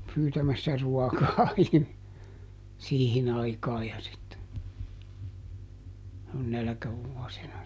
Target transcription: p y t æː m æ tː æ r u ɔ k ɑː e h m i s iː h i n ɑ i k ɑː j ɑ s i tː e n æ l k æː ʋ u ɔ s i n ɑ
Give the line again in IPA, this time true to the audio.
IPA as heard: p yː t æ m æ sː æ r u ɔ k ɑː i h m i s iː h i n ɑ i k ɑː j ɑ s i tː e n æ l k æ ʋ u ɔ s i n ɑ

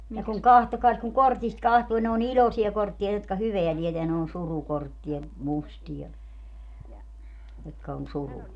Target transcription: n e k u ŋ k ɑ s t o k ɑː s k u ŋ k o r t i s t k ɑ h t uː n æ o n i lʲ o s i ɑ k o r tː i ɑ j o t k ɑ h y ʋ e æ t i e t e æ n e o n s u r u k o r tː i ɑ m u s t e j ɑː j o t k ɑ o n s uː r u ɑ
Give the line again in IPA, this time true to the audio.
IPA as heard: n e k u ŋ k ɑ h t o k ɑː s k u ŋ k o r t i s t k ɑ h t uː n e o n i lʲ o s i ɑ k o r tː i ɑ j o t k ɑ h y ʋ e æ t i e t e æ n e o n s u r u k o r tː i ɑ m u s t i j ɑ j o t k ɑ o n s u r u ɑ

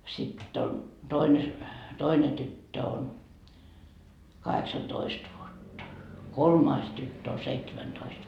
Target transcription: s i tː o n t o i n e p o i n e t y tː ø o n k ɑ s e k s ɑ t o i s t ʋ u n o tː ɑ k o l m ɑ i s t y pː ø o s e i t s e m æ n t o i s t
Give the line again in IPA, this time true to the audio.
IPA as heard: s i tː o n t o i n e t o i n e t y tː ø o n k ɑ h e k s ɑ t o i s t ʋ u o tː ɑ k o l m ɑ i s t y tː ø o s e i t s e m æ n t o i s t

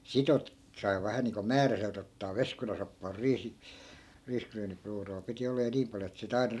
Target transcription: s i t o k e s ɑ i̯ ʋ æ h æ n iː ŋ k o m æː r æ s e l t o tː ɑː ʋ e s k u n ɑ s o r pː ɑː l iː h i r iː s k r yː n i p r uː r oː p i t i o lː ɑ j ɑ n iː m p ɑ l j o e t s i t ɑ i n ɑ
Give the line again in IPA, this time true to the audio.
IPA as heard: s i t o t e s ɑ i̯ ʋ æ h æ n iː ŋ k o m æː r æ s e l t o tː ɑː ʋ e s k u n ɑ s o pː ɑː r iː s i r iː s k r yː n i p r uː r oː p i t i o lː ɑ j ɑ n iː m p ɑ l j o e t s i t ɑ i n ɑ

